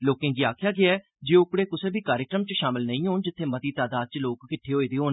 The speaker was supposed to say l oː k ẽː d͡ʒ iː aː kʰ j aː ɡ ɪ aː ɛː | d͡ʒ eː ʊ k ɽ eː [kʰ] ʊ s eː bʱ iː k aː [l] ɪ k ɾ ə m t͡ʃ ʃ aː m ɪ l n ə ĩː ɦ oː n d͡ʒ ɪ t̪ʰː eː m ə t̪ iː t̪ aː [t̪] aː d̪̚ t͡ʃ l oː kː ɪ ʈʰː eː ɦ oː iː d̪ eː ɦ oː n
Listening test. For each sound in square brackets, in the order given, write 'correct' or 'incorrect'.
incorrect: k, incorrect: ɾ, incorrect: d̪

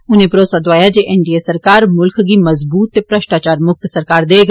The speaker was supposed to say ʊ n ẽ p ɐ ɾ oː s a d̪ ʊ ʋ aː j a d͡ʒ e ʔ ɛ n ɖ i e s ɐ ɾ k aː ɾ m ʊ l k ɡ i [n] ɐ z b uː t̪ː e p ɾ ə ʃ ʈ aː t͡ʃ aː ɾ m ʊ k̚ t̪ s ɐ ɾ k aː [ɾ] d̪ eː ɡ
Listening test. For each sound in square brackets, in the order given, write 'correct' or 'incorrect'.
incorrect: m, correct

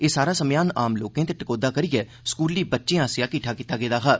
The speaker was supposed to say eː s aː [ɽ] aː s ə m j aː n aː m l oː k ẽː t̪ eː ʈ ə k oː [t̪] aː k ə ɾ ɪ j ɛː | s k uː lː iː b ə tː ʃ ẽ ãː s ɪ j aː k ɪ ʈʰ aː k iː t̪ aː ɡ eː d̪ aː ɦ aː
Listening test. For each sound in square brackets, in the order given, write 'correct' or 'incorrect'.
incorrect: ɾ, incorrect: d̪

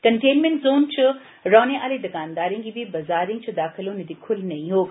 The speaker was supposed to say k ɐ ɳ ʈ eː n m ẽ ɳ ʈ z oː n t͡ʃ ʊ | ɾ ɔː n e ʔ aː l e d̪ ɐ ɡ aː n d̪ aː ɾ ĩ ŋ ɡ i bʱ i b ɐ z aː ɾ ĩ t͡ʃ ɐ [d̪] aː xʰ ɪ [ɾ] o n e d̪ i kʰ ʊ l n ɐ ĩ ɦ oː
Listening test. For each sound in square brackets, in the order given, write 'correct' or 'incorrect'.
correct, incorrect: l

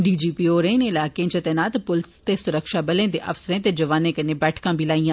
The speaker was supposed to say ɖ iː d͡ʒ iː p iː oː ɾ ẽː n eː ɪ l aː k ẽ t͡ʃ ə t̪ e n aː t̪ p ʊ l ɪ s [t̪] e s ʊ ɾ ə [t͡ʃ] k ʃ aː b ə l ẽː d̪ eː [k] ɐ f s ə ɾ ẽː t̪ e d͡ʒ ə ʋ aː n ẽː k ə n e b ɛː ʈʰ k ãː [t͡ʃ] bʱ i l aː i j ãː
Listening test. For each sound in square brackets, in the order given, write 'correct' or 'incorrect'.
correct, incorrect: none, incorrect: ʔ, incorrect: none

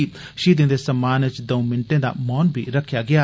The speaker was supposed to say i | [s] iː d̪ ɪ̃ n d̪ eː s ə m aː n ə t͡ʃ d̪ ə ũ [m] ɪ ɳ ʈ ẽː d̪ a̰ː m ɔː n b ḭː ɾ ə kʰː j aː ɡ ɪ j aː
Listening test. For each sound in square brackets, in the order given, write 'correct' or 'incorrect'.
incorrect: ʃ, correct

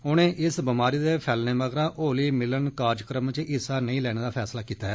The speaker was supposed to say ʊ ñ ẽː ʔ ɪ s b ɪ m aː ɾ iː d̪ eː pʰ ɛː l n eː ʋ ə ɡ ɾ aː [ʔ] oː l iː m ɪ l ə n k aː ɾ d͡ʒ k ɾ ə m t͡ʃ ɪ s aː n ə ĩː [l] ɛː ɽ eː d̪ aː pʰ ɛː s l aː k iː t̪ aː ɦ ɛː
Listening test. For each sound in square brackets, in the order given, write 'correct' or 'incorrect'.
correct, correct

